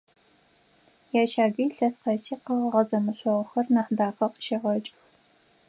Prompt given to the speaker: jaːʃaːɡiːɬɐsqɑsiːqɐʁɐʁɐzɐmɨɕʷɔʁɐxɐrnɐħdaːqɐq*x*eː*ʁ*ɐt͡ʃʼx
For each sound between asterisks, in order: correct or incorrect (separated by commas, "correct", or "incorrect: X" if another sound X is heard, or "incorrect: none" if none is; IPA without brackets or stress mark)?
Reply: incorrect: ʃ, correct